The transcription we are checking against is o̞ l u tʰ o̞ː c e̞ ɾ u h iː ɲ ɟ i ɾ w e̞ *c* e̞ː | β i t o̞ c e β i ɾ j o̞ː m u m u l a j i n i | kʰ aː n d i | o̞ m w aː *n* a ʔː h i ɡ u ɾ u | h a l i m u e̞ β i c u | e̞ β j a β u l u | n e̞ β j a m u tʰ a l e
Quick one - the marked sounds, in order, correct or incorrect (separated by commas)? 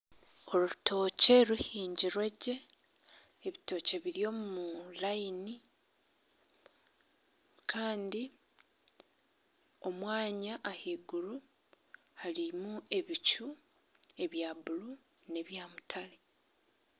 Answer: incorrect, incorrect